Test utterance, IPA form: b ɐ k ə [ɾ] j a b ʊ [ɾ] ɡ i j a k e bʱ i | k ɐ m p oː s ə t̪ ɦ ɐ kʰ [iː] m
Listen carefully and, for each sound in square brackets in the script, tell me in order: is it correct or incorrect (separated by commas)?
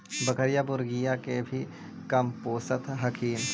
correct, correct, correct